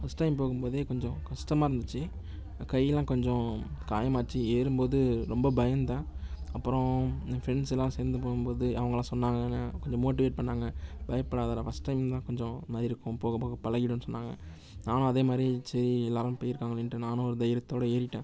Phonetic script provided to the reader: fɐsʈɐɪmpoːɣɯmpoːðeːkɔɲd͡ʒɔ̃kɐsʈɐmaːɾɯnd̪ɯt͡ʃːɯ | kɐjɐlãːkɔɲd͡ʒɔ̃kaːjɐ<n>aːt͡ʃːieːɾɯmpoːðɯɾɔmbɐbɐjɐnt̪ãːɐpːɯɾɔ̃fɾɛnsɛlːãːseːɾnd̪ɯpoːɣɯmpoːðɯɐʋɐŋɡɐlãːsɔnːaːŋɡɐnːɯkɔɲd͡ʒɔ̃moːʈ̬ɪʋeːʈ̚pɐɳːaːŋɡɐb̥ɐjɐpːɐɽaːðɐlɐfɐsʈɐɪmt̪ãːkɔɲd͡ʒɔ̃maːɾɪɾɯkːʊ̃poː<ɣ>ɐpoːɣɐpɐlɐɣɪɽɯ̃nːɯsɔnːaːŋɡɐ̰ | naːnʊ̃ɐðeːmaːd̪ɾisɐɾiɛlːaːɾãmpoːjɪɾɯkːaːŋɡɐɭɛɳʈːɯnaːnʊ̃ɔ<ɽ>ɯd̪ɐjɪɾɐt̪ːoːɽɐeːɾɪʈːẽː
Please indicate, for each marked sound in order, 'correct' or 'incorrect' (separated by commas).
incorrect, correct, incorrect